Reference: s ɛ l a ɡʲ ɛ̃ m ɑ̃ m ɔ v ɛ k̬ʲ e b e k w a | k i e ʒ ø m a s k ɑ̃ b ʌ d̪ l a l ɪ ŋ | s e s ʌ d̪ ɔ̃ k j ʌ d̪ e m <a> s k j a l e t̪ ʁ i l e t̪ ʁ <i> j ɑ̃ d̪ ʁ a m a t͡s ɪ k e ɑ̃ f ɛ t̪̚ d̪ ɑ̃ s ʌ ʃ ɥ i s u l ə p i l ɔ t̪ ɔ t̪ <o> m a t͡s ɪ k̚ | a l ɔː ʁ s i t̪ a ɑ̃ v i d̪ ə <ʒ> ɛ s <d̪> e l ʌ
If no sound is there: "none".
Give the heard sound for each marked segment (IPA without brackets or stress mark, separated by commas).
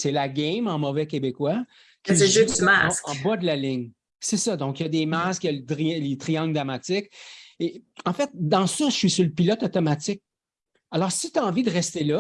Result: a, i, ɔ, ʁ, t̪